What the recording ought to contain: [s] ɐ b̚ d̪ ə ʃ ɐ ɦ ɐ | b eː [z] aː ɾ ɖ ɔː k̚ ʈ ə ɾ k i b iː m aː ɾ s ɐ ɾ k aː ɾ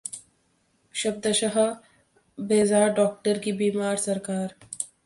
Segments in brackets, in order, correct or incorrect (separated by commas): incorrect, correct